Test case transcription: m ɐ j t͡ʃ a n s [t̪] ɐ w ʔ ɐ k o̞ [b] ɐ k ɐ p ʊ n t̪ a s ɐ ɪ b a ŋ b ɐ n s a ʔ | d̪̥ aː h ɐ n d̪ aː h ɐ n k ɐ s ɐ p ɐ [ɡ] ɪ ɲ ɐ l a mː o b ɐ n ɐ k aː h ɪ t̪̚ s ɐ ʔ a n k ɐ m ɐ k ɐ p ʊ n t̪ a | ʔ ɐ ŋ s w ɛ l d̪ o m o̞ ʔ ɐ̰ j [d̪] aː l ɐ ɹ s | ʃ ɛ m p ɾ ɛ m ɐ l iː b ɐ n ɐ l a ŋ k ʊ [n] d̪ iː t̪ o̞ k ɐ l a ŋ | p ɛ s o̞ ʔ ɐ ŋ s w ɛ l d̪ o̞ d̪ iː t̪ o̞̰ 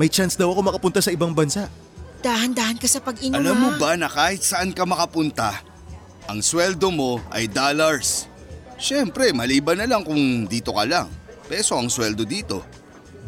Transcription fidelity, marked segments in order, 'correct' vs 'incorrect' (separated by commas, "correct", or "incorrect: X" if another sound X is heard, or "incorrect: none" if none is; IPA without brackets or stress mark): incorrect: d̪, incorrect: m, correct, correct, incorrect: ŋ